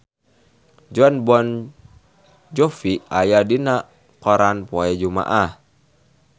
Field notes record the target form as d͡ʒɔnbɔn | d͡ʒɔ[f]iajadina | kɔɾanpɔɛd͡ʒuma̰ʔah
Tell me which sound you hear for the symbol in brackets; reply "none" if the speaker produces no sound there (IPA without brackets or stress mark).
f